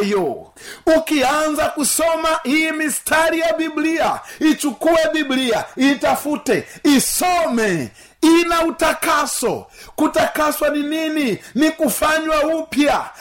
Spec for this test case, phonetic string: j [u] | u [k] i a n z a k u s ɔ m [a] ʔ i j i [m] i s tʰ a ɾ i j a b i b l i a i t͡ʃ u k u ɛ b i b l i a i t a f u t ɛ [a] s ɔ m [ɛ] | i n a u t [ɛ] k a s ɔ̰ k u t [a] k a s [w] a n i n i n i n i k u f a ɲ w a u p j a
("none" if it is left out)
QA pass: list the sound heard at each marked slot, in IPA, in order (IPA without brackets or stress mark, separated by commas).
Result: ɔ, k, a, m, i, ɛ, a, a, w